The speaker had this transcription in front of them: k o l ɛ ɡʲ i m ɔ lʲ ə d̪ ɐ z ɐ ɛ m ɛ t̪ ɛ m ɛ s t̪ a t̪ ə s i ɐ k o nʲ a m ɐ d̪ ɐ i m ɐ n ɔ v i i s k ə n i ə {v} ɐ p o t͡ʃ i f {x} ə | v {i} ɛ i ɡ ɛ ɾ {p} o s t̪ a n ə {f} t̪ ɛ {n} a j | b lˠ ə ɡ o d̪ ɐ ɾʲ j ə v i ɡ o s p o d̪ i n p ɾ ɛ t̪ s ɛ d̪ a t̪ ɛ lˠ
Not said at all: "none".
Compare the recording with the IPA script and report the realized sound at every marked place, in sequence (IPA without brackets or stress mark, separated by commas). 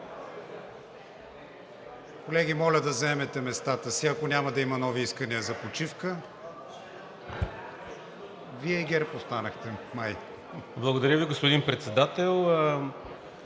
z, k, i, p, x, m